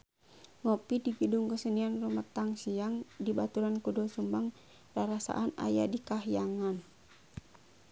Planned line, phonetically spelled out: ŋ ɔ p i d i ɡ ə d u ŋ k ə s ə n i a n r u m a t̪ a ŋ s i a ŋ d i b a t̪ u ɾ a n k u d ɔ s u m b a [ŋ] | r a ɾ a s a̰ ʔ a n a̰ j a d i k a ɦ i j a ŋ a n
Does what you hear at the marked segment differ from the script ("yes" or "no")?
no